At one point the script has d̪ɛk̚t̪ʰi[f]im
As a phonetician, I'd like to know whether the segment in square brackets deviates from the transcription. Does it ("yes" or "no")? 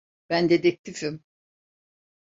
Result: no